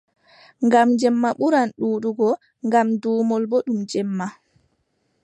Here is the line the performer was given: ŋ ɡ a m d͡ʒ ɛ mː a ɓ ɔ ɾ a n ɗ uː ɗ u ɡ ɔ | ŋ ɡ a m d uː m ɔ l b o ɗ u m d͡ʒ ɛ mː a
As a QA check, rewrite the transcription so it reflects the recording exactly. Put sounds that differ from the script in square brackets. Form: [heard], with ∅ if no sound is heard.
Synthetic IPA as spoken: ŋ ɡ a m d͡ʒ ɛ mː a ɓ [u] ɾ a n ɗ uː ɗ u ɡ ɔ | ŋ ɡ a m d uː m ɔ l b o ɗ u m d͡ʒ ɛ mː a